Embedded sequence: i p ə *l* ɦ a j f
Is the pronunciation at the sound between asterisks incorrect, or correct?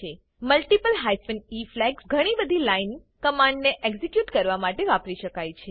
correct